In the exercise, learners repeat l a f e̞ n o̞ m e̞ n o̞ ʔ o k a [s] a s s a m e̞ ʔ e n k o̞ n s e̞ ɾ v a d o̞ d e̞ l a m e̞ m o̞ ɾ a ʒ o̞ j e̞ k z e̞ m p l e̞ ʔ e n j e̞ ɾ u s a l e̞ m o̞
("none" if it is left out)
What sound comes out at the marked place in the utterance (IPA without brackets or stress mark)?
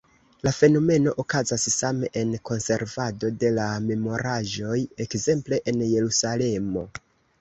z